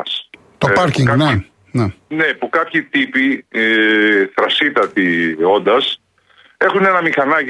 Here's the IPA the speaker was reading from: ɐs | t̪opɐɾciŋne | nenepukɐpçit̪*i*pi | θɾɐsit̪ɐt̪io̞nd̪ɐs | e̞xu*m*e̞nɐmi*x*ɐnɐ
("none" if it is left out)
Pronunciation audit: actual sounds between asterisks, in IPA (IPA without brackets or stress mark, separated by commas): i, n, x